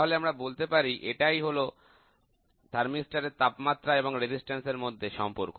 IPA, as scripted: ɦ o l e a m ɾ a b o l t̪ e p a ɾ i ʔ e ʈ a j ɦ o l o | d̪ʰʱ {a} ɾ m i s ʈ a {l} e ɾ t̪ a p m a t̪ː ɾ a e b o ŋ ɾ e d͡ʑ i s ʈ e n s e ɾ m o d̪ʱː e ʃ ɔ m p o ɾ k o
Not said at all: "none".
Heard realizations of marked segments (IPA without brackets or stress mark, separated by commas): a, ɾ